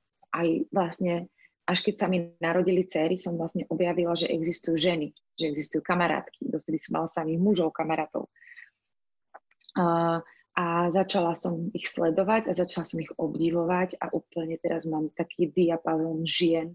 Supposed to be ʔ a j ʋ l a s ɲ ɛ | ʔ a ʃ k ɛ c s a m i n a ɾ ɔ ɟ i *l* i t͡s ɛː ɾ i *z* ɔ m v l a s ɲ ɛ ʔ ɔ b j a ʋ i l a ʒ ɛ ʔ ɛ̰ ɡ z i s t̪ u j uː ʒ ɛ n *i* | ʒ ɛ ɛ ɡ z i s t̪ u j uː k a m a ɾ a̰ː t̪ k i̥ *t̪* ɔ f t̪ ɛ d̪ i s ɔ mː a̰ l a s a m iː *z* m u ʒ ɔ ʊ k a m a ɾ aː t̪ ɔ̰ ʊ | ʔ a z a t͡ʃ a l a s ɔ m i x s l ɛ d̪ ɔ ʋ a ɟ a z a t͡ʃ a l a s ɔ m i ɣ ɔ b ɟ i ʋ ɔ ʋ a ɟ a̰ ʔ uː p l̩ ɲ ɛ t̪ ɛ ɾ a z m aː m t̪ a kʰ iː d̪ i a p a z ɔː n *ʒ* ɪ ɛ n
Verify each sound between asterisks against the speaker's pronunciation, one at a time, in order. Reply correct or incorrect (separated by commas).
correct, incorrect, correct, incorrect, incorrect, correct